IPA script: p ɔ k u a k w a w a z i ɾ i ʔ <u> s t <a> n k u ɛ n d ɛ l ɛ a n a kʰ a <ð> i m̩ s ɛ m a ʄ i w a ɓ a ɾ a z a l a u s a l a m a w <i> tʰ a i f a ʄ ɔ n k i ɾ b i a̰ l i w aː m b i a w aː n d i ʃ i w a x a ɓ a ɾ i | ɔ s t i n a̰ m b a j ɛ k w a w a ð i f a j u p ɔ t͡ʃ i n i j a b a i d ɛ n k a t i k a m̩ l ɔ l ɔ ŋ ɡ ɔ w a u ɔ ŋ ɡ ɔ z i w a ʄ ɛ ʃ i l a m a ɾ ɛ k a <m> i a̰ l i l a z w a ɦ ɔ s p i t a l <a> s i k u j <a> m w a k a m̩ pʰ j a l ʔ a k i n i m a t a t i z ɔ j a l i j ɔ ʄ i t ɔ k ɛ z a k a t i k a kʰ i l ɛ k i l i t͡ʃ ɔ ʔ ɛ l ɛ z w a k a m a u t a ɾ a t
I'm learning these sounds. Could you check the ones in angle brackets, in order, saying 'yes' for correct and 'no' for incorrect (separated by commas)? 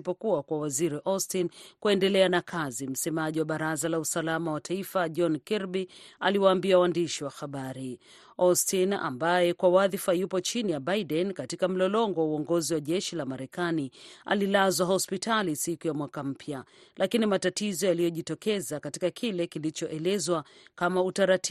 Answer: no, no, no, no, no, no, yes